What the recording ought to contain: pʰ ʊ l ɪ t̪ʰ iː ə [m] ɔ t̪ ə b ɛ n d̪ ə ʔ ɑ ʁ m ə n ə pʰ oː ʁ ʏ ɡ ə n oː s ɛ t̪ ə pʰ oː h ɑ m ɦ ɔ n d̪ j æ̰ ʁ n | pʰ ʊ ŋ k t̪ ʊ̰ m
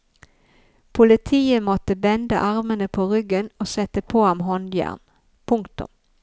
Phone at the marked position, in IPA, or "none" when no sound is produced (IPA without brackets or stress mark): m